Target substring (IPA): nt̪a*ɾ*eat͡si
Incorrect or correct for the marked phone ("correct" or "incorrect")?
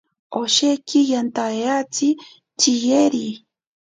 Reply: incorrect